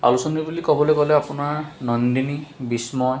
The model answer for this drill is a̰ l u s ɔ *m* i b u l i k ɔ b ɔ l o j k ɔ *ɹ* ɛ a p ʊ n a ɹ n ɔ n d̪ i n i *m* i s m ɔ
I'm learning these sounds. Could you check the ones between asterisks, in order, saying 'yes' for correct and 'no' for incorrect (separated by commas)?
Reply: no, no, no